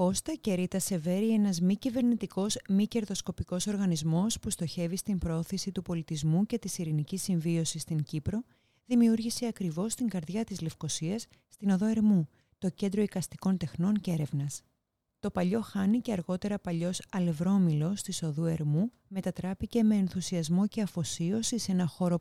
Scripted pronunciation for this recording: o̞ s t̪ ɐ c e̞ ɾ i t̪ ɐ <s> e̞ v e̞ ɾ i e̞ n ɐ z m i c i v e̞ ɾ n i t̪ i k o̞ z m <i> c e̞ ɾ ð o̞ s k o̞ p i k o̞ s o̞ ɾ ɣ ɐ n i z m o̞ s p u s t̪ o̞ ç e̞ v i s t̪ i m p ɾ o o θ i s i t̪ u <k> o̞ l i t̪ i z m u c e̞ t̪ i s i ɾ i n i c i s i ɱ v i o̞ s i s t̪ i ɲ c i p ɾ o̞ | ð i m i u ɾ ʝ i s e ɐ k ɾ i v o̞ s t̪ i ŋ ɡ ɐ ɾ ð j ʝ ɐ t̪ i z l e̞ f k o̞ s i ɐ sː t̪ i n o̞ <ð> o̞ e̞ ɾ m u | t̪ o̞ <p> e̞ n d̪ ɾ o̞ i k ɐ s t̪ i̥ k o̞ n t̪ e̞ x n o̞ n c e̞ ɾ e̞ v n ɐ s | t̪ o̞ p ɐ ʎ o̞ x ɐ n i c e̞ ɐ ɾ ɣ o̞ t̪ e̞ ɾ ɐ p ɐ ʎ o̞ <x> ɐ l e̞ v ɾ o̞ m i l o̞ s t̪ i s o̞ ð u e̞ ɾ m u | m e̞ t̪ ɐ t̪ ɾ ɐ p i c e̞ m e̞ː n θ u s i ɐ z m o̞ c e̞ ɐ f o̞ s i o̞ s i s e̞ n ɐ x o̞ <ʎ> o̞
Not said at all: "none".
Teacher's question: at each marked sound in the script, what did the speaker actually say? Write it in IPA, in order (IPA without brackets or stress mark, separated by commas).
s, i, p, ð, c, s, ɾ